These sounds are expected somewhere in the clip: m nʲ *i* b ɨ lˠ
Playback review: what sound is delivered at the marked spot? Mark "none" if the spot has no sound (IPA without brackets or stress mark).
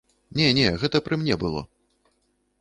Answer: ɛ